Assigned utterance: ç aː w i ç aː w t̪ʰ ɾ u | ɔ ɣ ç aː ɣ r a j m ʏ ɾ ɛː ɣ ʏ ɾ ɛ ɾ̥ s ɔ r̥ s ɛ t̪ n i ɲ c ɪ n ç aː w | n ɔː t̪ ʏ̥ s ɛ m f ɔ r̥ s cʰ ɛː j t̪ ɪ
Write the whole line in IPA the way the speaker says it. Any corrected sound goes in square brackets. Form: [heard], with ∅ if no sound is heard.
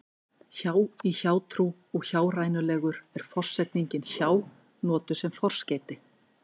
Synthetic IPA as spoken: ç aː w i ç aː w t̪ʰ ɾ u | ɔ ɣ ç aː [w] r a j [n] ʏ [l] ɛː ɣ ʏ ɾ ɛ ɾ̥ [f] ɔ r̥ s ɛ t̪ n i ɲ c ɪ n ç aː w | n ɔː t̪ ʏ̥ s ɛ m f ɔ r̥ s [c] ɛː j t̪ ɪ